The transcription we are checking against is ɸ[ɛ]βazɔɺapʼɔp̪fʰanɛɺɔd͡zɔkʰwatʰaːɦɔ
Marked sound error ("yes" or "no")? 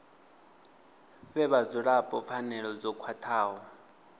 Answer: no